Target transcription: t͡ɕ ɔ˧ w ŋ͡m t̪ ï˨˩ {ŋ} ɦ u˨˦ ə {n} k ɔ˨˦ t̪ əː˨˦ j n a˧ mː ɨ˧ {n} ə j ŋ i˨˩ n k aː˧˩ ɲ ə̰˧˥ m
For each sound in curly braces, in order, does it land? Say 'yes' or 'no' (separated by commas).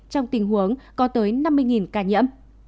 yes, no, no